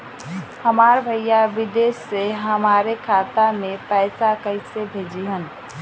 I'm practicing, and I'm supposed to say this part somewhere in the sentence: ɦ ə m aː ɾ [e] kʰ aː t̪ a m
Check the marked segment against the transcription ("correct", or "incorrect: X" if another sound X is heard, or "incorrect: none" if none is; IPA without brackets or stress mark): correct